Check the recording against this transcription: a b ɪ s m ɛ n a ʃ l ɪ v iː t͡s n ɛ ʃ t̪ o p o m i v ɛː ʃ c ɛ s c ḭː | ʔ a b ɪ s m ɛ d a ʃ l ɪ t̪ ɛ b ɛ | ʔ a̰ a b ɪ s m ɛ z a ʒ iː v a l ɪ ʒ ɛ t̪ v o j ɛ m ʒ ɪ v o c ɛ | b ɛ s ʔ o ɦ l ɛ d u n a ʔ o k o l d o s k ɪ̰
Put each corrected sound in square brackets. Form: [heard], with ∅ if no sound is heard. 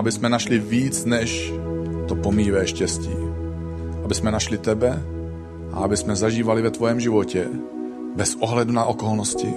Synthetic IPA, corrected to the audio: a b ɪ s m ɛ n a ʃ l ɪ v iː t͡s n ɛ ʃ t̪ o p o m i v ɛː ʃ c ɛ s c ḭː | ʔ a b ɪ s m ɛ [n] a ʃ l ɪ t̪ ɛ b ɛ | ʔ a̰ a b ɪ s m ɛ z a ʒ iː v a l ɪ [v] ɛ t̪ v o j ɛ m ʒ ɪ v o c ɛ | b ɛ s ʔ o ɦ l ɛ d u n a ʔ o k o l [n] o s [c] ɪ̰